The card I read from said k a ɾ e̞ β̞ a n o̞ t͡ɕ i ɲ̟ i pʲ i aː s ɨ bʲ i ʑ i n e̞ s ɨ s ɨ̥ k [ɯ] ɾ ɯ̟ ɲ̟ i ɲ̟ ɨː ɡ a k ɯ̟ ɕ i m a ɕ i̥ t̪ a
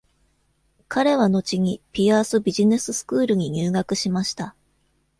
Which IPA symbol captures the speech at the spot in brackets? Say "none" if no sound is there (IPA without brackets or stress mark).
ɯː